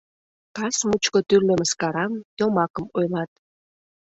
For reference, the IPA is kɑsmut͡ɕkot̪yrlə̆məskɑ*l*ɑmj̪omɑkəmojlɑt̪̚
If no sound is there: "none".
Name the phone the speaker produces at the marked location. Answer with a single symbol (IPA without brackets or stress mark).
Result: ɾ